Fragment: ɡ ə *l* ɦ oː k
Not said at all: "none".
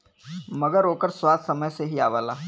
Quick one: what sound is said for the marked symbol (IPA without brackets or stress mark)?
ɾ